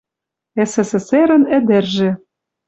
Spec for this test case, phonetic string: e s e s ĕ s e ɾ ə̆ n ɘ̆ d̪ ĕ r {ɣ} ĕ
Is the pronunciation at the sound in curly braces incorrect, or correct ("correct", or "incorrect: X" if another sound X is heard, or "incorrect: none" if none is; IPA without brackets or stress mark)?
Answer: incorrect: ʒ